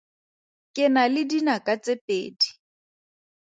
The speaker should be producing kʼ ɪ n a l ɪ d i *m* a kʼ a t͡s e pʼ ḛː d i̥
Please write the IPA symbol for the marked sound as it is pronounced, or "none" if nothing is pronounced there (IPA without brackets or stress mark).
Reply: n